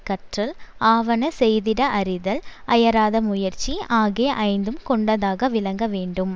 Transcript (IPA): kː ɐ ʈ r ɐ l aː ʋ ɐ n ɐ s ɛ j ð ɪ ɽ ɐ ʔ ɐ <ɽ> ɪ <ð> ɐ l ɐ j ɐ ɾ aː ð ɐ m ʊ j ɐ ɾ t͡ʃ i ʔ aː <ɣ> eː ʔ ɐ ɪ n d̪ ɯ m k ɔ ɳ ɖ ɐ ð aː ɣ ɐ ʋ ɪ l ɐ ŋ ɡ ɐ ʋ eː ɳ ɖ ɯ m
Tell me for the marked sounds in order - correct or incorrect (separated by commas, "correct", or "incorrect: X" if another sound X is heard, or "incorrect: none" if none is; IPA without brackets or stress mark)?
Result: incorrect: ɾ, correct, correct